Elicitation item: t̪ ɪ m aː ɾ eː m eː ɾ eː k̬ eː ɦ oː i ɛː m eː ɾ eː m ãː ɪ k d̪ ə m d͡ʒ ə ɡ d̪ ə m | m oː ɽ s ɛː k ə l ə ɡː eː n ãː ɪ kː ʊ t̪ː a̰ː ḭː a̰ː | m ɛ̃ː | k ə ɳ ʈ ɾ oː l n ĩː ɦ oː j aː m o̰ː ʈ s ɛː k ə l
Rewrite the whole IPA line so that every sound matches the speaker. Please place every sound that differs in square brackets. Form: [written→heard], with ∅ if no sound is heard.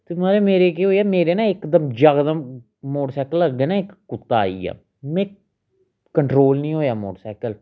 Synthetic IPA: t̪ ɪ m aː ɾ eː m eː ɾ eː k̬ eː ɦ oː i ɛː m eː ɾ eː [m→n] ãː ɪ k d̪ ə m d͡ʒ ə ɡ d̪ ə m | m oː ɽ s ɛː k ə l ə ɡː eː n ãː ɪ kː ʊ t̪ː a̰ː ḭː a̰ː | m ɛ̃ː | k ə ɳ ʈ ɾ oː l n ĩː ɦ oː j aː m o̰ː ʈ s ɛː k ə l